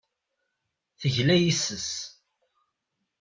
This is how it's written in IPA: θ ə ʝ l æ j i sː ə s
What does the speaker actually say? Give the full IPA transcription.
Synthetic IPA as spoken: θ ə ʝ l æ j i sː ə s